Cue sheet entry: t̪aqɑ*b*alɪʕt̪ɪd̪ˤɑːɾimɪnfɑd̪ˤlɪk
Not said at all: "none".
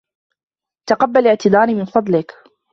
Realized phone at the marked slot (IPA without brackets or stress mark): bː